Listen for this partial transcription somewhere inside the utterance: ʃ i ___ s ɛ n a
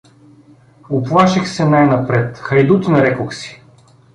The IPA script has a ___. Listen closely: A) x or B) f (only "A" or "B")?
A